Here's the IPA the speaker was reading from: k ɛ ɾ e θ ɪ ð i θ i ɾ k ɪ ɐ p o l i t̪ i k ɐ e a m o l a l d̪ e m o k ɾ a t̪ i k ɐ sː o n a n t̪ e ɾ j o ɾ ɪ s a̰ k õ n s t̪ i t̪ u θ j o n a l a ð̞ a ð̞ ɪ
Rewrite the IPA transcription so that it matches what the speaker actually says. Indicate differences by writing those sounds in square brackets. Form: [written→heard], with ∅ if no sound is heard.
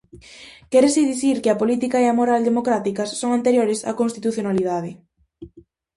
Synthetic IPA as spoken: k ɛ ɾ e [θ→s] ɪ ð i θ i ɾ k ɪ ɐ p o l i t̪ i k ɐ e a m o [l→ɾ] a l d̪ e m o k ɾ a t̪ i k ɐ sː o [n→ŋ] a n t̪ e ɾ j o ɾ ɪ s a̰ k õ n s t̪ i t̪ u θ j o n a l [a→i] ð̞ a ð̞ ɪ

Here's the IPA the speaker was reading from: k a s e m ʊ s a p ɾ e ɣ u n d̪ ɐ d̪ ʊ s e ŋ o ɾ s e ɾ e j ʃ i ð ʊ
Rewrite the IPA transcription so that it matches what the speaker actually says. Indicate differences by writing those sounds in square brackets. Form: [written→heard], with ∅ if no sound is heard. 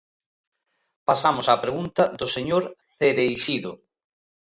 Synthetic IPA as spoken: [k→p] a s [e→a] m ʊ s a p ɾ e ɣ u n [d̪→t̪] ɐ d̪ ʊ s e [ŋ→ɲ] o ɾ [s→θ] e ɾ e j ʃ i ð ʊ

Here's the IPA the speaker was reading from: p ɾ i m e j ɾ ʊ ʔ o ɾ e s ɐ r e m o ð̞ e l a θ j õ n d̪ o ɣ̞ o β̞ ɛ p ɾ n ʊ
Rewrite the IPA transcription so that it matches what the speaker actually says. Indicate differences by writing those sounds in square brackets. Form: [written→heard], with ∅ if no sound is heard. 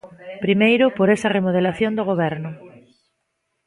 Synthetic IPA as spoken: p ɾ i m e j ɾ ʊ [ʔ→p] o ɾ e s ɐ r e m o ð̞ e l a θ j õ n d̪ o ɣ̞ o β̞ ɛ [p→∅] ɾ n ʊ

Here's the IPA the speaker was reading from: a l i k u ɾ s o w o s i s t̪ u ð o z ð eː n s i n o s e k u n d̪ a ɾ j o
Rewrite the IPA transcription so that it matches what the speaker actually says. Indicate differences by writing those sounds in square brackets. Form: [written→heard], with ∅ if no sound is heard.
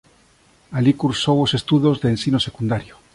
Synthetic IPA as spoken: a l i k u ɾ s o w o s [i→e] s t̪ u ð o z ð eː n s i n o s e k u n d̪ a ɾ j o

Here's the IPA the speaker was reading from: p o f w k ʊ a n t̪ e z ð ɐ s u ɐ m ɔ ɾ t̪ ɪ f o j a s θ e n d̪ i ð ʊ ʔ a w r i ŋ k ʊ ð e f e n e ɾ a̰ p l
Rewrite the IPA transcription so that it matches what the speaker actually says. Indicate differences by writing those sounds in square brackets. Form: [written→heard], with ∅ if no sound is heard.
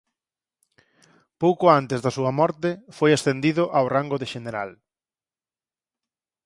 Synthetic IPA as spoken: p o [f→∅] w k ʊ a n t̪ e z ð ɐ s u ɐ m ɔ ɾ t̪ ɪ f o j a s θ e n d̪ i ð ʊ ʔ a w r [i→a] ŋ [k→ɡ] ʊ ð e [f→ʃ] e n e ɾ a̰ [p→∅] l

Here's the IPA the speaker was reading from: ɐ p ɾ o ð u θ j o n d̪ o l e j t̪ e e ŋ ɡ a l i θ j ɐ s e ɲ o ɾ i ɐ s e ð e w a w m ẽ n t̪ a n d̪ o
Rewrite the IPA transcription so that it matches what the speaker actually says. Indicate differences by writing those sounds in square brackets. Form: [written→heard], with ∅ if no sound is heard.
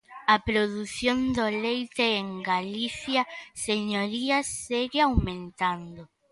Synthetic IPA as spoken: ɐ p ɾ o ð u θ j o n d̪ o l e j t̪ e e ŋ ɡ a l i θ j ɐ s e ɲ o ɾ i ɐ s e [ð→ɣ] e [w→∅] a w m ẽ n t̪ a n d̪ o

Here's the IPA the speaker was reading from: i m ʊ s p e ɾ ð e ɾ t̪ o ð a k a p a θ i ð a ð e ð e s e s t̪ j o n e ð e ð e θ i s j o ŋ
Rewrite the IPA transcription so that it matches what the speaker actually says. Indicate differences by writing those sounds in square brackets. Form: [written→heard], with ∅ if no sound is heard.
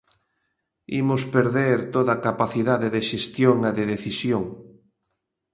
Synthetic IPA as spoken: i m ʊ s p e ɾ ð e ɾ t̪ o ð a k a p a θ i ð a ð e ð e [s→ʃ] e s t̪ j o [n→ŋ] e ð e ð e θ i s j o ŋ

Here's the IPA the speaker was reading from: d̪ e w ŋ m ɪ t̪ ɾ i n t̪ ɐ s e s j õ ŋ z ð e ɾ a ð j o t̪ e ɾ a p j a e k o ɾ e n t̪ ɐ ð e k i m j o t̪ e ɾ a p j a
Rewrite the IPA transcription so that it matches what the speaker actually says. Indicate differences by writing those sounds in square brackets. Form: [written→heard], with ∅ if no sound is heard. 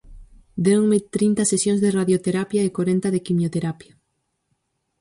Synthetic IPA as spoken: d̪ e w ŋ m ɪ t̪ ɾ i n t̪ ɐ s e s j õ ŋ z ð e [ɾ→r] a ð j o t̪ e ɾ a p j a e k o ɾ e n t̪ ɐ ð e k i m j o t̪ e ɾ a p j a

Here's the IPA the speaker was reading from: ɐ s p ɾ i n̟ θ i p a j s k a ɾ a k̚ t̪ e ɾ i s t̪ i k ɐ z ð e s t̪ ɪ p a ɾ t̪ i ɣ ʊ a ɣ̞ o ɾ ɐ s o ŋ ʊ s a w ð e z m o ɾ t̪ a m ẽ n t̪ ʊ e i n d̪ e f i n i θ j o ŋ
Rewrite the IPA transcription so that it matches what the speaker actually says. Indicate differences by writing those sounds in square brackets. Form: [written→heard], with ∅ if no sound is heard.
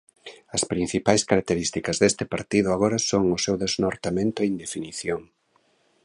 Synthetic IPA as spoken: ɐ s p ɾ i n̟ θ i p a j s k a ɾ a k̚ t̪ e ɾ i s t̪ i k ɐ z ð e s t̪ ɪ p a ɾ t̪ i [ɣ→ð] ʊ a ɣ̞ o ɾ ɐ s o ŋ ʊ s [a→e] w ð e z [m→n] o ɾ t̪ a m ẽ n t̪ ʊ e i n d̪ e f i n i θ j o ŋ

